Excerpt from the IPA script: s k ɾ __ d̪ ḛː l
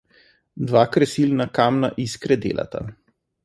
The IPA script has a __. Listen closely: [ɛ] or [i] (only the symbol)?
ɛ